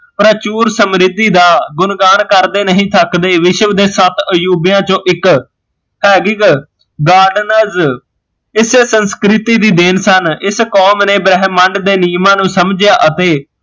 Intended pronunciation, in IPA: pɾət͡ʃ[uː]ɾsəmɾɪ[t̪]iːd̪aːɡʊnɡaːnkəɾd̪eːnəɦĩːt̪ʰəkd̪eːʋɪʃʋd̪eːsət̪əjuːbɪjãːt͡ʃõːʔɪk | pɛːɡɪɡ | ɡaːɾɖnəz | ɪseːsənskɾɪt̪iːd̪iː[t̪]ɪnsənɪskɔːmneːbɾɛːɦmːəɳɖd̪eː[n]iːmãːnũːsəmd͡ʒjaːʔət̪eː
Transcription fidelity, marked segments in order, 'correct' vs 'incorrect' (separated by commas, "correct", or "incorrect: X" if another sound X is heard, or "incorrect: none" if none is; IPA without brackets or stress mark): correct, incorrect: d̪, incorrect: d̪, correct